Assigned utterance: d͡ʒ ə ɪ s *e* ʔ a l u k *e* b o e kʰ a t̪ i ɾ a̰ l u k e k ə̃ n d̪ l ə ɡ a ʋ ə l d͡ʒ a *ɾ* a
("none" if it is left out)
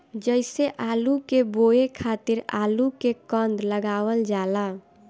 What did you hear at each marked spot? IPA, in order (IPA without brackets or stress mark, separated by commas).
e, e, l